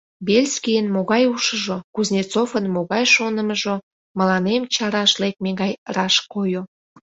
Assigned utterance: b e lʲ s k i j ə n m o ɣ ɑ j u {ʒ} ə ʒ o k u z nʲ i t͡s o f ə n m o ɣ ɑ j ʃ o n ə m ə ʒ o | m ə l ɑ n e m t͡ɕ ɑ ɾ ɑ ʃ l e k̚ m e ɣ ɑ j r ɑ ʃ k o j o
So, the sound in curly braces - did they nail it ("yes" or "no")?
no